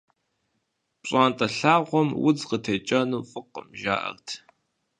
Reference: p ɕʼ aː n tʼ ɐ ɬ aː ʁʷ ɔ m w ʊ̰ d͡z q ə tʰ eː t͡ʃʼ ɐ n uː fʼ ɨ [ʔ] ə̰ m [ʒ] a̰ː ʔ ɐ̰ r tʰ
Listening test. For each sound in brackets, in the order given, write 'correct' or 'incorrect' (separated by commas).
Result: incorrect, correct